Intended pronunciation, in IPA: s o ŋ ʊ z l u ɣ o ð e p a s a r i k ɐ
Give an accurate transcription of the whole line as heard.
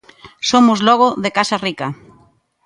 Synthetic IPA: s o m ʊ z l ɔ ɣ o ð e k a s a r i k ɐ